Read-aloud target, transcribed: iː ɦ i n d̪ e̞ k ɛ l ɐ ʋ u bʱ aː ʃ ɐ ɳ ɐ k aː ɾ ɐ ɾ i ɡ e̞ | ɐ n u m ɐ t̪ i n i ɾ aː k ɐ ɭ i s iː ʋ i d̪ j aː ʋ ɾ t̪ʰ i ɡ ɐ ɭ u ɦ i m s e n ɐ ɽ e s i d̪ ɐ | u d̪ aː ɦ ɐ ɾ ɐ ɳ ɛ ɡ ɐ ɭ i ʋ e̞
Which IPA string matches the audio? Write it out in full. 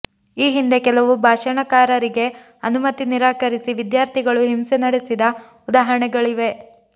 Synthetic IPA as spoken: iː ɦ i n d̪ e̞ k ɛ l ɐ ʋ u bʱ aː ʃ ɐ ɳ ɐ k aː ɾ ɐ ɾ i ɡ e̞ | ɐ n u m ɐ t̪ i n i ɾ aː k ɐ ɾ i s i ʋ i d̪ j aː ɾ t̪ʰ i ɡ ɐ ɭ u ɦ i m s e n ɐ ɽ e s i d̪ ɐ | u d̪ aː ɦ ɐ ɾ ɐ ɳ ɛ ɡ ɐ ɭ i ʋ e̞